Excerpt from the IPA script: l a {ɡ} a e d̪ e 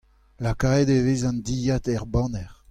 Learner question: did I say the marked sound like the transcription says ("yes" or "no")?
no